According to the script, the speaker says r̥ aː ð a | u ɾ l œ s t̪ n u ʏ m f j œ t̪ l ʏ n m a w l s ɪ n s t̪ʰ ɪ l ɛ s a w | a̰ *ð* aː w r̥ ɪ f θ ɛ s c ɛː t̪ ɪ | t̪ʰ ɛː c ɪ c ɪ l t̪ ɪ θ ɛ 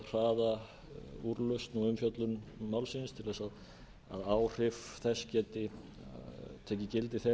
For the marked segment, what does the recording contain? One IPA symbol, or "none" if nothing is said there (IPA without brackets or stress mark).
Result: ð